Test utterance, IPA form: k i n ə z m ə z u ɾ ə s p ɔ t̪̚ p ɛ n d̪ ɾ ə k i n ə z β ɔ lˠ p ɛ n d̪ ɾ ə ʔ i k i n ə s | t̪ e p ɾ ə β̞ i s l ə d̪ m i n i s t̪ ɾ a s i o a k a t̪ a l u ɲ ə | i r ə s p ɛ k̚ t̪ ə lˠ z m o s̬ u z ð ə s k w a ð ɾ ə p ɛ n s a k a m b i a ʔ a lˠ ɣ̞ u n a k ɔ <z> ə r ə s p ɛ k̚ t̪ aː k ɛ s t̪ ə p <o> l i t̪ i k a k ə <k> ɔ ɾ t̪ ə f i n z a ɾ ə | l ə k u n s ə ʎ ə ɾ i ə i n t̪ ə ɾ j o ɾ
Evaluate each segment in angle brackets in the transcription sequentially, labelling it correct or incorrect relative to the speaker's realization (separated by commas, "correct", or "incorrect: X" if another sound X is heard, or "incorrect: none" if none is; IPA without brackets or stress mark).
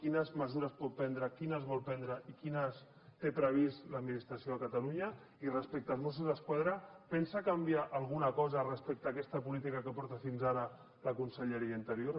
correct, incorrect: u, incorrect: p